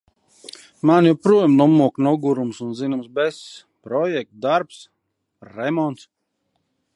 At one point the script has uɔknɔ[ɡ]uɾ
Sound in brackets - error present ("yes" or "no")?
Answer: no